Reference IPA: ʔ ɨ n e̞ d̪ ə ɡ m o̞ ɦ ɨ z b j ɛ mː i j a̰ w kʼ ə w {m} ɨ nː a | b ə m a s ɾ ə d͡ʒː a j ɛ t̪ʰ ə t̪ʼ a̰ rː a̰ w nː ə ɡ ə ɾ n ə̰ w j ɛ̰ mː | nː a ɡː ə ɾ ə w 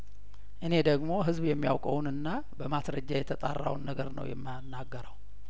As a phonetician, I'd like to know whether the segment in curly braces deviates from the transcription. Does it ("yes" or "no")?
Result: yes